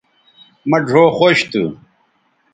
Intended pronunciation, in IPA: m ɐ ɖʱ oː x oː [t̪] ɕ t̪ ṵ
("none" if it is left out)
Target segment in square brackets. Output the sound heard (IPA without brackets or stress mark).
none